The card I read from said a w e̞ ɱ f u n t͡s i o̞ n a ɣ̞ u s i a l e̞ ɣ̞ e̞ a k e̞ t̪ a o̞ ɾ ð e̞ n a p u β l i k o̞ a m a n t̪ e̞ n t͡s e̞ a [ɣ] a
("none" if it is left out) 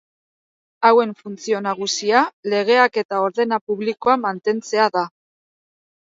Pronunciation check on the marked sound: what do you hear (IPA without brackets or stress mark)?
ð